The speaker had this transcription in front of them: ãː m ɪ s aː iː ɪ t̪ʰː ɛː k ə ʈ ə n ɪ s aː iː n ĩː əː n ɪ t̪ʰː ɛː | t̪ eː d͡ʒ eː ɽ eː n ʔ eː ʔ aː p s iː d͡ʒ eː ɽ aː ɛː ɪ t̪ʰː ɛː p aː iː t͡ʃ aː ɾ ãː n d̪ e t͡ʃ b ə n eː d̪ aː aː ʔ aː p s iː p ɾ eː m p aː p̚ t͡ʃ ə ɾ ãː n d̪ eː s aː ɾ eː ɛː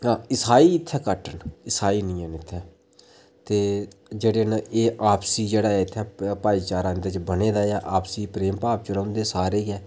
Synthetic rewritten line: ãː ɪ s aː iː ɪ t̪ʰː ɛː k ə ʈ ə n ɪ s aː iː n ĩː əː n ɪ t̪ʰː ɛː | t̪ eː d͡ʒ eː ɽ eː n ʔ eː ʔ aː p s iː d͡ʒ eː ɽ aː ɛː ɪ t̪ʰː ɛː p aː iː t͡ʃ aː ɾ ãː n d̪ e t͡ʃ b ə n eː d̪ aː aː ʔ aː p s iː p ɾ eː m p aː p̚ t͡ʃ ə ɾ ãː n d̪ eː s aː ɾ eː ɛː

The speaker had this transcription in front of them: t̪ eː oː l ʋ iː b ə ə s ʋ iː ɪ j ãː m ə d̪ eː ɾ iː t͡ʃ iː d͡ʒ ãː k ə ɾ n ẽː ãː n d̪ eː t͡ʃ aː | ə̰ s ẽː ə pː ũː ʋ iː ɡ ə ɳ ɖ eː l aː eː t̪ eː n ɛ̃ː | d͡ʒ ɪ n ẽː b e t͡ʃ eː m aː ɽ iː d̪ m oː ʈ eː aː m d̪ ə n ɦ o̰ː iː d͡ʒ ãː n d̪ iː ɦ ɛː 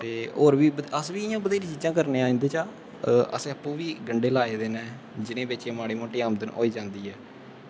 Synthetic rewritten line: t̪ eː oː ɾ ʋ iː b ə ə s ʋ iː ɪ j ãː b ə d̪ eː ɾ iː t͡ʃ iː d͡ʒ ãː k ə ɾ n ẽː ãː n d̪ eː t͡ʃ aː | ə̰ s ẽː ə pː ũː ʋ iː ɡ ə ɳ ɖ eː l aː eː d̪ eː n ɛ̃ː | d͡ʒ ɪ n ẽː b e t͡ʃ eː m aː ɽ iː m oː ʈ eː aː m d̪ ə n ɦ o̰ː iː d͡ʒ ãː n d̪ iː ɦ ɛː

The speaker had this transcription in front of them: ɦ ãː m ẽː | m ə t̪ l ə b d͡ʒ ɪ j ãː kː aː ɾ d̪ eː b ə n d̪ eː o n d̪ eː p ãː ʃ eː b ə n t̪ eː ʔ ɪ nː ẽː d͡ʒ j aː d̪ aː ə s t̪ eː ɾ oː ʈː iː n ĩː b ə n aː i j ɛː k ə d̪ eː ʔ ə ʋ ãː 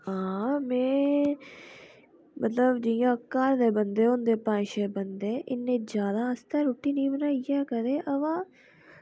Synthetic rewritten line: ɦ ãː m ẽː | m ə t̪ l ə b d͡ʒ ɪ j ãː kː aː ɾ d̪ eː b ə n d̪ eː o n d̪ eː p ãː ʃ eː b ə n d̪ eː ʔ ɪ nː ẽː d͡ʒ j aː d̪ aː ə s t̪ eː ɾ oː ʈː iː n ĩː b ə n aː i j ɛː k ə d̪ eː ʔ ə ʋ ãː

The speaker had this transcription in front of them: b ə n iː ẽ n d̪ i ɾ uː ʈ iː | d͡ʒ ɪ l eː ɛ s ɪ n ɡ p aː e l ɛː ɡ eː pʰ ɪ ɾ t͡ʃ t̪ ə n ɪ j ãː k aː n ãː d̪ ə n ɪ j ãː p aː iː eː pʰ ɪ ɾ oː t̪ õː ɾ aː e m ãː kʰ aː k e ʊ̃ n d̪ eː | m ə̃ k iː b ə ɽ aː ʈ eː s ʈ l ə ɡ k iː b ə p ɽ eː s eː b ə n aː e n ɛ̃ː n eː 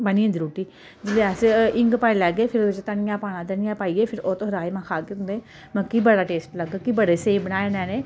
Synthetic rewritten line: b ə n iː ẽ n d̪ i ɾ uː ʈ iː | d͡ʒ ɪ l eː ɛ s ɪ ŋ ɡ p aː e l ɛː ɡ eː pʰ ɪ ɾ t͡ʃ t̪ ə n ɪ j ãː p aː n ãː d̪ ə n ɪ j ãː p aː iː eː pʰ ɪ ɾ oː t̪ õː ɾ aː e m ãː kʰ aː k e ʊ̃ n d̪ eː | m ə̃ k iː b ə ɽ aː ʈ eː s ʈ l ə ɡ k iː b ə ɽ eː s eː b ə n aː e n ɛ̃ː n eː

